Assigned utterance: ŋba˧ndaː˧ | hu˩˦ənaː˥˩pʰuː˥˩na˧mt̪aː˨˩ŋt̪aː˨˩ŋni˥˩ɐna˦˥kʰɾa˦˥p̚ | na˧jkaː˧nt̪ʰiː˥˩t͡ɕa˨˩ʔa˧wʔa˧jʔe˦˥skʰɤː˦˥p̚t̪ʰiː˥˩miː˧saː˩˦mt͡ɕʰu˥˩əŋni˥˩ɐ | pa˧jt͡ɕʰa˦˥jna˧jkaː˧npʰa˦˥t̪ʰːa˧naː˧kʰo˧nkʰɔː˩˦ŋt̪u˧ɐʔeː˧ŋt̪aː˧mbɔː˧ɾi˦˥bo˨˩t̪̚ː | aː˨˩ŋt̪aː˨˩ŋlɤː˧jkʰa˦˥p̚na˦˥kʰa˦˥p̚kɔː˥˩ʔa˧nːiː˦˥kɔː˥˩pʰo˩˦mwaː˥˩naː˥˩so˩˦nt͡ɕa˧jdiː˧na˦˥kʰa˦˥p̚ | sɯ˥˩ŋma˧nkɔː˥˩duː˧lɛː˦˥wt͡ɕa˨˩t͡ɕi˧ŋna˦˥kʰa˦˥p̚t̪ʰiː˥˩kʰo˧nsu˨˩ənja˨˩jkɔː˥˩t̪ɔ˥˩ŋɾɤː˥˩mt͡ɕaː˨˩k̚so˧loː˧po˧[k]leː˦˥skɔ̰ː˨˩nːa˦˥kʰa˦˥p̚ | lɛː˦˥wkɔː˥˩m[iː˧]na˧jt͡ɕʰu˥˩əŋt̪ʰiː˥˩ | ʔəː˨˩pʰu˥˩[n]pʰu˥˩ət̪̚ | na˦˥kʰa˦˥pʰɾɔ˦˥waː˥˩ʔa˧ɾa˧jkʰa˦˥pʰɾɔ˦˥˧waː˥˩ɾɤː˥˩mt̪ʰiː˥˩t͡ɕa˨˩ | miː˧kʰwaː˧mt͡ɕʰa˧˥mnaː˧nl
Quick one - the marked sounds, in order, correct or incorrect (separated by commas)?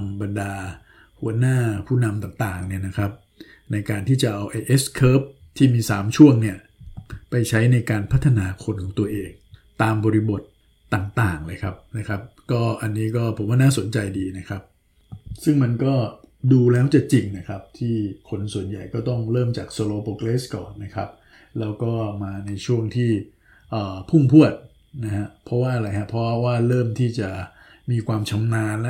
correct, incorrect, incorrect